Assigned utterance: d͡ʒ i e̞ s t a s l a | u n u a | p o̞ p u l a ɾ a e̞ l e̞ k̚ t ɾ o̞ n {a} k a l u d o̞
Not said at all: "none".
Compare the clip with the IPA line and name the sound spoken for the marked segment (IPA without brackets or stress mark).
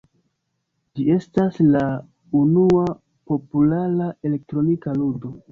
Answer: i